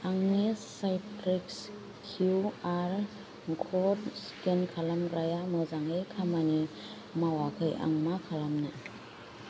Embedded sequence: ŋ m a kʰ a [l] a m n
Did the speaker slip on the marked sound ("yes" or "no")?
no